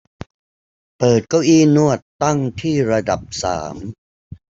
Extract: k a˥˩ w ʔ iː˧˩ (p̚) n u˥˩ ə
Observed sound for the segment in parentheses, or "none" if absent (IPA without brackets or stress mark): none